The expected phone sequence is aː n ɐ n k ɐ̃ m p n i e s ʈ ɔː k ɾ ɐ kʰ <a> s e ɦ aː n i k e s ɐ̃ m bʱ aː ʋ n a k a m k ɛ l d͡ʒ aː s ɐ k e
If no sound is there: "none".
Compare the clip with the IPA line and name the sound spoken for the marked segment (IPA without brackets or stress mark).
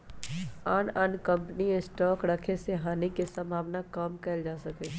e